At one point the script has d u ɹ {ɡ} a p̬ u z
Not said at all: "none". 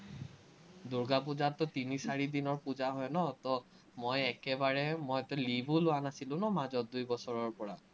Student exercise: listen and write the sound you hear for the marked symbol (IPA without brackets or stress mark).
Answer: ɡ